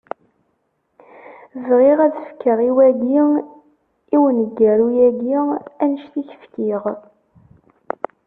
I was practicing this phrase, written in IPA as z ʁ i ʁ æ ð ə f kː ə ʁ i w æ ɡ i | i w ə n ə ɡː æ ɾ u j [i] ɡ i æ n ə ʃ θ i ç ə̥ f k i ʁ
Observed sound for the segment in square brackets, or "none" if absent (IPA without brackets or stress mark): æ